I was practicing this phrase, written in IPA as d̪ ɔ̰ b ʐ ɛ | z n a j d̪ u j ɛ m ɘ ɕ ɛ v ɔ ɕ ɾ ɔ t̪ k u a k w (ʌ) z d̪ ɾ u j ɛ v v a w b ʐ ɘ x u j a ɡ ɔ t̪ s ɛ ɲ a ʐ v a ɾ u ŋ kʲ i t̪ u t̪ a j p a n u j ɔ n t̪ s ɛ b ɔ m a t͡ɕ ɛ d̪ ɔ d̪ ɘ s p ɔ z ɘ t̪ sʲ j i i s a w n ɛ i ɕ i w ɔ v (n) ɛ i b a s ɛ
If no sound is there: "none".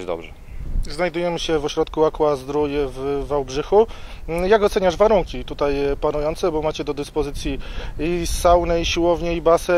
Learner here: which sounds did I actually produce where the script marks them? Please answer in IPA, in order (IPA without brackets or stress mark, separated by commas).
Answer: a, ɲ